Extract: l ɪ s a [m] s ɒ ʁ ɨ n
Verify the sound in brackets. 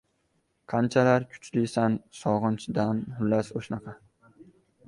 incorrect: n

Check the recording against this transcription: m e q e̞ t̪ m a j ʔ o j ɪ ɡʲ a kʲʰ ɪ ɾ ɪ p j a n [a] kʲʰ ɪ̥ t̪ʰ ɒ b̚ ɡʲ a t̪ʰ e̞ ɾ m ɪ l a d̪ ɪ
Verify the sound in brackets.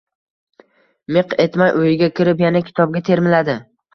correct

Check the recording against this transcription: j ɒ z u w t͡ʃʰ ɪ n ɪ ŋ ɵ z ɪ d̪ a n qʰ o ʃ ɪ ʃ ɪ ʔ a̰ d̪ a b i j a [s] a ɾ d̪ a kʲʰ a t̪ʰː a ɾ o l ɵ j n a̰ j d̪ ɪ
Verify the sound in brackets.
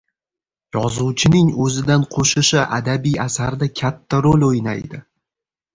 correct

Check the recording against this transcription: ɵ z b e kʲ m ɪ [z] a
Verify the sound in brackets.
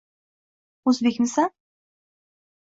incorrect: s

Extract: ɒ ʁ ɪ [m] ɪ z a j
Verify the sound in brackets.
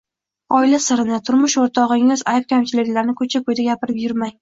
incorrect: ŋ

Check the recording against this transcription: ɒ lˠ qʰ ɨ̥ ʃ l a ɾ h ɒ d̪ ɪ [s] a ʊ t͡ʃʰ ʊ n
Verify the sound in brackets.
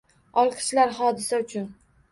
correct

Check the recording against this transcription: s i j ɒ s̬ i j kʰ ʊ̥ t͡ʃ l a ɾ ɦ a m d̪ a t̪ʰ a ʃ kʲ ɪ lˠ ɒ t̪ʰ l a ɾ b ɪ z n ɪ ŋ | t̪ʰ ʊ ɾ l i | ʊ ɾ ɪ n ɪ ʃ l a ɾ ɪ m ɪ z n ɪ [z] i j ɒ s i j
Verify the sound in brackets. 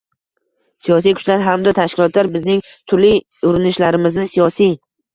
incorrect: s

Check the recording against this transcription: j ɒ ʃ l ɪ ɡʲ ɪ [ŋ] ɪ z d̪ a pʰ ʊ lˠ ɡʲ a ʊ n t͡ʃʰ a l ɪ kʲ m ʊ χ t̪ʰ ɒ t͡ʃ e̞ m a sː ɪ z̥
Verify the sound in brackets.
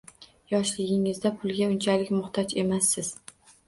correct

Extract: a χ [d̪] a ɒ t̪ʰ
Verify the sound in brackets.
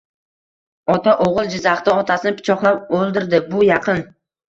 incorrect: t̪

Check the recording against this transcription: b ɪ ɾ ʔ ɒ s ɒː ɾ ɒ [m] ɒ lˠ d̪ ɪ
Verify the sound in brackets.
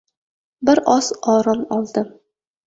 correct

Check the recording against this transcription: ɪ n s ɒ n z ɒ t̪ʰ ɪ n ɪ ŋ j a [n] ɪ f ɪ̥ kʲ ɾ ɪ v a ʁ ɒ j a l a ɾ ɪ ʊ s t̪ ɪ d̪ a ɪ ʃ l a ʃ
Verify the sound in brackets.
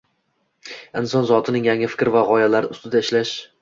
incorrect: ŋ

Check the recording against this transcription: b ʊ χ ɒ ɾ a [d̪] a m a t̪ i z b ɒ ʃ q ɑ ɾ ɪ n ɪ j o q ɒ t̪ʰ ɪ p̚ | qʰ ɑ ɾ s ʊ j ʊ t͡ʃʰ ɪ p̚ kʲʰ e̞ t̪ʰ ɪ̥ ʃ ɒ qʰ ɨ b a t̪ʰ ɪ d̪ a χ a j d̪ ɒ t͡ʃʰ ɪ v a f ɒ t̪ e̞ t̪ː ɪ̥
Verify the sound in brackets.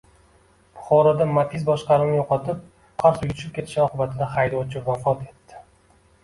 correct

